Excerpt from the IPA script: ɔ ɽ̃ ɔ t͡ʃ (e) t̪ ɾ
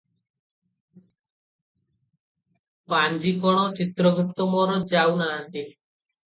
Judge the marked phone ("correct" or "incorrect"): incorrect